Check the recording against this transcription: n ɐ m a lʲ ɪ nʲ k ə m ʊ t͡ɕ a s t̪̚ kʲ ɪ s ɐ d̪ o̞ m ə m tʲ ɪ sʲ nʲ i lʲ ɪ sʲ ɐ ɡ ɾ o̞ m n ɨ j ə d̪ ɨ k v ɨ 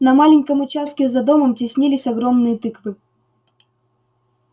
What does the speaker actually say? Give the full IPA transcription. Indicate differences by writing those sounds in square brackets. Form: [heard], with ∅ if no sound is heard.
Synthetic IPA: n ɐ m a lʲ ɪ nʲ k ə m ʊ t͡ɕ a s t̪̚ kʲ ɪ [z] ɐ d̪ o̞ m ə m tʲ ɪ sʲ nʲ i lʲ ɪ sʲ ɐ ɡ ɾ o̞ m n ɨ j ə [t̪] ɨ k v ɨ